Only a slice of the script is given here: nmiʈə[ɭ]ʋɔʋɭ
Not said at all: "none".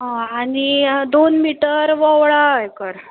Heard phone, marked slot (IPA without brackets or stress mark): ɾ